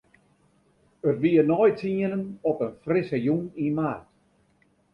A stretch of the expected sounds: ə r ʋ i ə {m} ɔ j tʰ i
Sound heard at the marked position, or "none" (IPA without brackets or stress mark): n